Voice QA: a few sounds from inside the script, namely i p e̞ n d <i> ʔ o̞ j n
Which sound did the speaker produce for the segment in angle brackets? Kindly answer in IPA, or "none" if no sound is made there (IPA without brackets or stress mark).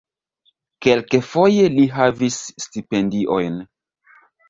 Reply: i